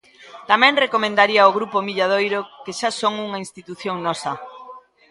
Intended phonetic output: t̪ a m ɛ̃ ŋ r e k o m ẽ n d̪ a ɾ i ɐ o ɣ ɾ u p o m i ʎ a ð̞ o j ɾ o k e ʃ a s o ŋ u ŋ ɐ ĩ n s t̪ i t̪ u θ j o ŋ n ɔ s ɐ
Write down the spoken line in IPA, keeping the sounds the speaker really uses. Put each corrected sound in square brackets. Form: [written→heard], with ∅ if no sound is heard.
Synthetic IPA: t̪ a m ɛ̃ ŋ r e k o m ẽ n d̪ a ɾ i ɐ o ɣ ɾ u p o m i ʎ a ð̞ o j ɾ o k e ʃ a s o ŋ u ŋ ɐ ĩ n s t̪ i t̪ u θ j o ŋ n ɔ s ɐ